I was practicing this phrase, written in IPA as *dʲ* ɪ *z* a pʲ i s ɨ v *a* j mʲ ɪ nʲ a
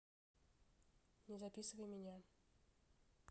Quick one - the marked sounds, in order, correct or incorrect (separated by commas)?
incorrect, correct, incorrect